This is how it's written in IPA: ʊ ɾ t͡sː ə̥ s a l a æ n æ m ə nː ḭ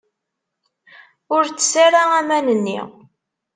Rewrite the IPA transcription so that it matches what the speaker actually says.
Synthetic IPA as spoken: ʊ ɾ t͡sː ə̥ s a ɾ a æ m æ n ə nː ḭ